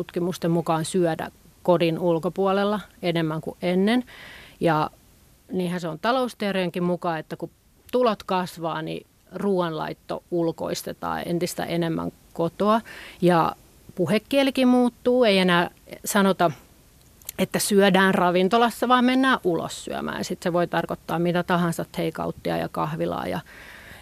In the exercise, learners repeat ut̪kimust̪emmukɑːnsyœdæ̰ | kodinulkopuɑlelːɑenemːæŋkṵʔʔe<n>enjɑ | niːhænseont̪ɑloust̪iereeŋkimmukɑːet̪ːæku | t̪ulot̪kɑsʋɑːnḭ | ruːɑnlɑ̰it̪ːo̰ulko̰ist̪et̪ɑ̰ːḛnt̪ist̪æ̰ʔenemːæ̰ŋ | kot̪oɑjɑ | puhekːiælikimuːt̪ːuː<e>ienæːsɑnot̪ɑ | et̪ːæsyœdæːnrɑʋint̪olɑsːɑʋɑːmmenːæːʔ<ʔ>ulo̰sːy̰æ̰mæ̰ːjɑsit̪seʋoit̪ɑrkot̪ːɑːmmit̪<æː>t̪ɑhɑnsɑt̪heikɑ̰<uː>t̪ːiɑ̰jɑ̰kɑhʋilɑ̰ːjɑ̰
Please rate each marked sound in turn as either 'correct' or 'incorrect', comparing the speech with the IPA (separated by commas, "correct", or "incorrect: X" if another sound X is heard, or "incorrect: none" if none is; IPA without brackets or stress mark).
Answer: incorrect: nː, correct, correct, incorrect: æ, incorrect: u